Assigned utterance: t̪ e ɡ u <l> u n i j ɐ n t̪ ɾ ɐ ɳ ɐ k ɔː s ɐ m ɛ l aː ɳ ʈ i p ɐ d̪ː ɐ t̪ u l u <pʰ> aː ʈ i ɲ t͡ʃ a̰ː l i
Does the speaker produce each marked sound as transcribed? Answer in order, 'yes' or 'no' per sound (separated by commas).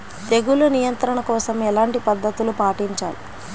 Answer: yes, no